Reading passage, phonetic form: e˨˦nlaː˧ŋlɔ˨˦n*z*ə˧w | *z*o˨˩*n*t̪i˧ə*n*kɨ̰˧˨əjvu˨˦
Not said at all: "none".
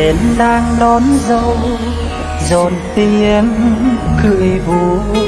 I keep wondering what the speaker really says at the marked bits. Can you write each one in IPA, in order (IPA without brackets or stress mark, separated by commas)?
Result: z, z, n, n